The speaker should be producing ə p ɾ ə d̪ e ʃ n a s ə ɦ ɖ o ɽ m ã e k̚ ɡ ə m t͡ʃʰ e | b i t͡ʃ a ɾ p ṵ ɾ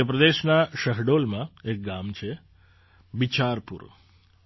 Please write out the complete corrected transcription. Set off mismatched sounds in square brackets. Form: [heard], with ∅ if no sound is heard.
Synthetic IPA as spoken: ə p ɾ ə d̪ e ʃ n a [ʃ] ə ɦ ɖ o [l] m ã e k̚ ɡ [a] m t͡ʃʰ e | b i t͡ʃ a ɾ p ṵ ɾ